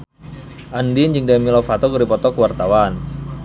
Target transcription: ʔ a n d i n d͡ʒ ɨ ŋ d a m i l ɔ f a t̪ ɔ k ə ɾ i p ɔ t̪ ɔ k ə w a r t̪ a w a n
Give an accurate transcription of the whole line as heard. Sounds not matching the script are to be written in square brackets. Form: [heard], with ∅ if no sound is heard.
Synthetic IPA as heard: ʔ a n d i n d͡ʒ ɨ ŋ d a m i l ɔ f a t̪ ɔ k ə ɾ i p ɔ t̪ ɔ k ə w a r t̪ a w a n

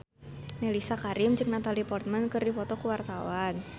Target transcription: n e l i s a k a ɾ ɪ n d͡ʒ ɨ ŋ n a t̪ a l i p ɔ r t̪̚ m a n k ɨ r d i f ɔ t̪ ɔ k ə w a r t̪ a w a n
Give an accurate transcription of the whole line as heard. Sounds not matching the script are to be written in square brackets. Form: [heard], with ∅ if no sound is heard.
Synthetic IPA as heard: n e l i s a k a ɾ ɪ [m] d͡ʒ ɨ ŋ n a t̪ a l i p ɔ r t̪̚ m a n k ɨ r d i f ɔ t̪ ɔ k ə w a r t̪ a w a n

